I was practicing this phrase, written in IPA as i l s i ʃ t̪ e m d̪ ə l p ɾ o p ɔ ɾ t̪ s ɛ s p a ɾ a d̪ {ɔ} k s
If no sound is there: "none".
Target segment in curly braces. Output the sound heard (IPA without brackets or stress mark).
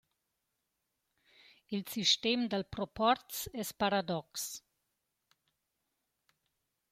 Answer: ɔ